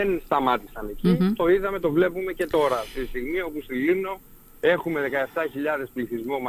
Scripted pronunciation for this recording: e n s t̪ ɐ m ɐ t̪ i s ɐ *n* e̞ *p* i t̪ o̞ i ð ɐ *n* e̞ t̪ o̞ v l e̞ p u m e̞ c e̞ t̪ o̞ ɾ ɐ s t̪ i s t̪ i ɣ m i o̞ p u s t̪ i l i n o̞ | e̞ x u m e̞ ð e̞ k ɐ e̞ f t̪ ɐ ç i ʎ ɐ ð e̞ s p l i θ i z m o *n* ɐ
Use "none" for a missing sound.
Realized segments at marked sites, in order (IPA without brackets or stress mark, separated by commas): n, c, m, m